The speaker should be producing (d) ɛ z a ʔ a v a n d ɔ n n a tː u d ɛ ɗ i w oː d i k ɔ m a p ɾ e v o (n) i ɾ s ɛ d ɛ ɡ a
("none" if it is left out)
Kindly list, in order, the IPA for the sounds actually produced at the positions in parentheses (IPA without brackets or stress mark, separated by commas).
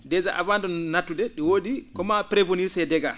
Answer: d, n